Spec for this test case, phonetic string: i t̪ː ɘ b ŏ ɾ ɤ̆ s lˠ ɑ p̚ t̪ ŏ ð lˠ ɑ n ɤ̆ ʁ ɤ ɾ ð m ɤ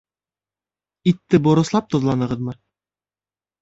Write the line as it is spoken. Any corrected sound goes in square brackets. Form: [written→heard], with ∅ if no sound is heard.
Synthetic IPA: i t̪ː ɘ b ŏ ɾ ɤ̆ s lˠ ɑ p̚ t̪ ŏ ð lˠ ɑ n ɤ̆ ʁ ɤ [ɾ→∅] ð m ɤ